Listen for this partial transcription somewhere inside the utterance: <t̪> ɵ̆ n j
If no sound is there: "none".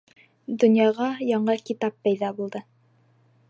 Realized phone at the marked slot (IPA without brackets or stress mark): d̪